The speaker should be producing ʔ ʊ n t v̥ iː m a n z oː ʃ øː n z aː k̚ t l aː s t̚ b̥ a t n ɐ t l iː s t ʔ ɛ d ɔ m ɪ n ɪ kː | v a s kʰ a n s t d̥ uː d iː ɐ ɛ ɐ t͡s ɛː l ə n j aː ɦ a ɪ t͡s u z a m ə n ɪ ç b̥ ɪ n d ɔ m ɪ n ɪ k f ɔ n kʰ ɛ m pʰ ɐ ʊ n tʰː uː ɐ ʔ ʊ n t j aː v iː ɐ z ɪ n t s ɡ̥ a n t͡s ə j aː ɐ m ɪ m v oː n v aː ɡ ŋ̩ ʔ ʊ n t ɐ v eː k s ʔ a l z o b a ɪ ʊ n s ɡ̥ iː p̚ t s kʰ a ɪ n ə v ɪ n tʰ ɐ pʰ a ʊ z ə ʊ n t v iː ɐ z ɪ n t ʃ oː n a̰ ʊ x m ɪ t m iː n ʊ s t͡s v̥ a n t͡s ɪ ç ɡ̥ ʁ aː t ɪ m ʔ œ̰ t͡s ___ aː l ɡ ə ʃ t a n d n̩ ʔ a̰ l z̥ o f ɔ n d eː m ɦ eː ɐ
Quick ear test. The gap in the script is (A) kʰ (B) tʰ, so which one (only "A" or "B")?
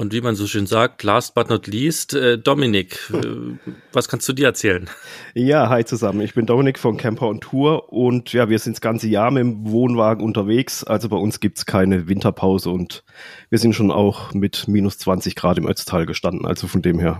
B